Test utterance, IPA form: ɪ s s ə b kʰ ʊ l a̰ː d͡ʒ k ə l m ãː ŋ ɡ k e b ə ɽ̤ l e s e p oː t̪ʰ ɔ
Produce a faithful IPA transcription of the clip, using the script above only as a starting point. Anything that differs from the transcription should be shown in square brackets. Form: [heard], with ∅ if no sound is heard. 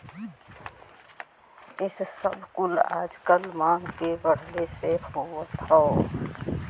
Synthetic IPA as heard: ɪ s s ə b [k] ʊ l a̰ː d͡ʒ k ə l m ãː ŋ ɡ k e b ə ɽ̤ l e s e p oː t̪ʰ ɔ